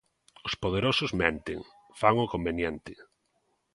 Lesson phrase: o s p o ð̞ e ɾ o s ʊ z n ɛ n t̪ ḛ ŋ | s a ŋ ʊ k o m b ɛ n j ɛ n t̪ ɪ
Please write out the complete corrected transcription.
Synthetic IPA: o s p o ð̞ e ɾ o s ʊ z m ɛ n t̪ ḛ ŋ | f a ŋ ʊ k o m b e n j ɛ n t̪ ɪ